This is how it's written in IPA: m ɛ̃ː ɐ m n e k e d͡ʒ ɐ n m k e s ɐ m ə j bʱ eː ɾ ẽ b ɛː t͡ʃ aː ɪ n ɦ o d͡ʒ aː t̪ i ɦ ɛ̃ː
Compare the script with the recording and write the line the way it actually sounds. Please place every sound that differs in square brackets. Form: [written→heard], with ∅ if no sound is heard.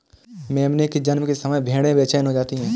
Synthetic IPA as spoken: m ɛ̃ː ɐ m n e k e d͡ʒ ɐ n m k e s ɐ m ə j bʱ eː [ɾ→ɽ] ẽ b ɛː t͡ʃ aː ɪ n ɦ o d͡ʒ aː t̪ i ɦ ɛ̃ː